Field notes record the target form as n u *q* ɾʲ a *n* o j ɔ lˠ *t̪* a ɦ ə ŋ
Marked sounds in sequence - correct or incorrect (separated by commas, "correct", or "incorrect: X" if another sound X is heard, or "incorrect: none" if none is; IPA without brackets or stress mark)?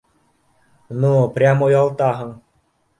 incorrect: p, incorrect: m, correct